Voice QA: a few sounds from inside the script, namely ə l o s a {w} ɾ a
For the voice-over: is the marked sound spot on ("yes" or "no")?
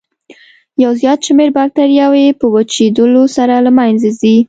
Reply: no